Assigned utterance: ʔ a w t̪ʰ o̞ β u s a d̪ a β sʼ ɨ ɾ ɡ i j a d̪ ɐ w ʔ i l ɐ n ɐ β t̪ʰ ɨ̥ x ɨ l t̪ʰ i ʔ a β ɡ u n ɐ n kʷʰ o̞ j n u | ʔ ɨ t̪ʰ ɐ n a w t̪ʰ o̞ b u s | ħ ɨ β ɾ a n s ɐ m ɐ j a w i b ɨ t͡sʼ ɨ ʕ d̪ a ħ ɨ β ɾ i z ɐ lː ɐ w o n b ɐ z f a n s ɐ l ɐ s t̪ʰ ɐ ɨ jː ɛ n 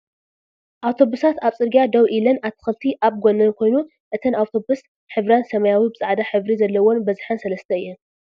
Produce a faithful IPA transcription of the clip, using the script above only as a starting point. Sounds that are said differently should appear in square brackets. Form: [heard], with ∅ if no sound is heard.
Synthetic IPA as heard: ʔ a w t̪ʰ o̞ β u s a [t̪] a β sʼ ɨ ɾ ɡ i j a d̪ ɐ w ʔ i l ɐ n [a] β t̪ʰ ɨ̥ x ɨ l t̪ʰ i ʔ a β ɡ [o] n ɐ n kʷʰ o̞ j n u | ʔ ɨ t̪ʰ ɐ n a w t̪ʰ o̞ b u s | ħ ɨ β ɾ a n s ɐ m ɐ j a w i b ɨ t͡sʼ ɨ ʕ d̪ a ħ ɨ β ɾ i z ɐ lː ɐ w o n b ɐ z [ħ] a n s ɐ l ɐ s t̪ʰ ɐ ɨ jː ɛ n